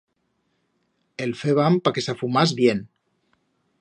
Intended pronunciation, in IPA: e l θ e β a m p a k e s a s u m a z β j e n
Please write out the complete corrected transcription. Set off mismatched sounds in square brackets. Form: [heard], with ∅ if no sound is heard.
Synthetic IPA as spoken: e l [f] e β a m p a k e s a [f] u m a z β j e n